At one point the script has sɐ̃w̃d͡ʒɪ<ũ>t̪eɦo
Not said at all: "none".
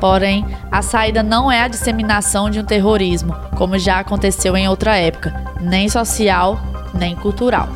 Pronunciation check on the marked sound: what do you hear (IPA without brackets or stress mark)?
ũ